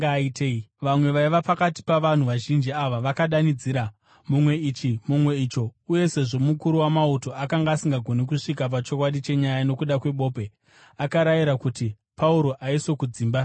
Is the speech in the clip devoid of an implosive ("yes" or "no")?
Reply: no